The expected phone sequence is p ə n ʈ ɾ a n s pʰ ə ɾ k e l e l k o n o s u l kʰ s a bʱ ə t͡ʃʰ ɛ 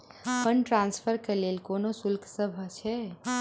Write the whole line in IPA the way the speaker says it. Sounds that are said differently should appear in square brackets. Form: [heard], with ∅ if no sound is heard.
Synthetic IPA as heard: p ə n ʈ ɾ a n s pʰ ə ɾ k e l e l k o n o s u l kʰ s [ə] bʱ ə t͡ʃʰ ɛ